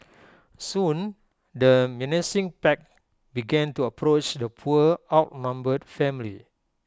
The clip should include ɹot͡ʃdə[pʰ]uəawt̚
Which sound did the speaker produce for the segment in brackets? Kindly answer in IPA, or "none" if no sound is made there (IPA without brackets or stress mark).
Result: pʰ